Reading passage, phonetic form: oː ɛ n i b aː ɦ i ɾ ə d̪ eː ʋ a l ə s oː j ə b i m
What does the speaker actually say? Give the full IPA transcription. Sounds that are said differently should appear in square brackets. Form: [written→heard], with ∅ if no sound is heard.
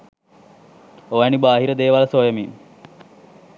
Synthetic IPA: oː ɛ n i b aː ɦ i ɾ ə d̪ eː ʋ a l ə s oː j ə [b→m] i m